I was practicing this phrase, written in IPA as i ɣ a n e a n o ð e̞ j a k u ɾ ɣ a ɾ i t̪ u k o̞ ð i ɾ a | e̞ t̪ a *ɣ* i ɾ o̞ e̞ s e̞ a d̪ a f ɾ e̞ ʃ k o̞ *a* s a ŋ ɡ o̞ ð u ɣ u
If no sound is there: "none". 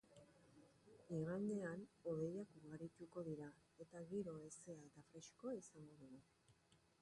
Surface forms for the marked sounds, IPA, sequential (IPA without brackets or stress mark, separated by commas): ɣ, i